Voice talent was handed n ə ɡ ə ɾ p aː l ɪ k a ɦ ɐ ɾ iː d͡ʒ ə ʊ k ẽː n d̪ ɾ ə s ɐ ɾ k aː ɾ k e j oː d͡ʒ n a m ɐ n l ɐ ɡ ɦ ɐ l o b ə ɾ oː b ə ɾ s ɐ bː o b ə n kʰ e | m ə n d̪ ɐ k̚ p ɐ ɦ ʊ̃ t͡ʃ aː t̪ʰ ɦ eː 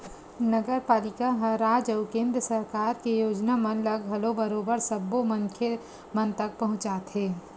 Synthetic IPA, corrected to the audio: n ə ɡ ə ɾ p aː l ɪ k a ɦ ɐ ɾ aː d͡ʒ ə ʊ k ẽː n d̪ ɾ ə s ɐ ɾ k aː ɾ k e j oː d͡ʒ n a m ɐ n l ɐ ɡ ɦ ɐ l o b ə ɾ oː b ə ɾ s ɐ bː o m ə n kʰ e | m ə n t̪ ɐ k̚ p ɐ ɦ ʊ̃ t͡ʃ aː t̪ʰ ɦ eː